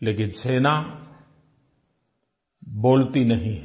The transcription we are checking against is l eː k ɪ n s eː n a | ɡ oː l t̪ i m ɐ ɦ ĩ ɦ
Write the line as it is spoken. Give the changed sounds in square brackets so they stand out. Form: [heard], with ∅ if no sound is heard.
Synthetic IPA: l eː k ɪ n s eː n a | [b] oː l t̪ i [n] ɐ ɦ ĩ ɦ